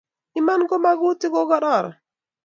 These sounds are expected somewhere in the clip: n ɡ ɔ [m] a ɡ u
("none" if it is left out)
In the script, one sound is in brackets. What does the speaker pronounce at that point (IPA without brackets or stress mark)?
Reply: m